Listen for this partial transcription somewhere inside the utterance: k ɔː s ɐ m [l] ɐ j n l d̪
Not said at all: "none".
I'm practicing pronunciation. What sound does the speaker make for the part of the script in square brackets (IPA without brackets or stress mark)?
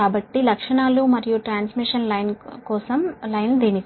l